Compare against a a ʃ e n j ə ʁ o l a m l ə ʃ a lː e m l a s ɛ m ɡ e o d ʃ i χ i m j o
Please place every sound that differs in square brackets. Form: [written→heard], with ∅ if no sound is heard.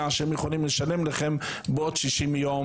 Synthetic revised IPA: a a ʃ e [n→m] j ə [ʁ→χ] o l [a→i] m l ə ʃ a [lː→l] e m l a [s→χ] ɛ m [ɡ→b] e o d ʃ i [χ→ʃ] i m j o